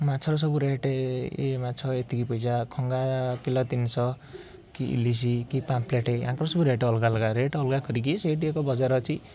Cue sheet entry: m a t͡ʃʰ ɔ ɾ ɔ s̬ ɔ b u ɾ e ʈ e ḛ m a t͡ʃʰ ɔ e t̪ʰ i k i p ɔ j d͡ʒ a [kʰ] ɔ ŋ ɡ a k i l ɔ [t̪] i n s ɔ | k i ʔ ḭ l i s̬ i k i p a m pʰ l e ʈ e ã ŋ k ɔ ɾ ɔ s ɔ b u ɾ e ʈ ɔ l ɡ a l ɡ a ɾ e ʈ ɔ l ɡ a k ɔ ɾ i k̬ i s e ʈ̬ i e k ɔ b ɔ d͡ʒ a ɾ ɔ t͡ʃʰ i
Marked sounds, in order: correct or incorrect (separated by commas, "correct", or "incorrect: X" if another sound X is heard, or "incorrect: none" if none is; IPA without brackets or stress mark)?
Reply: correct, correct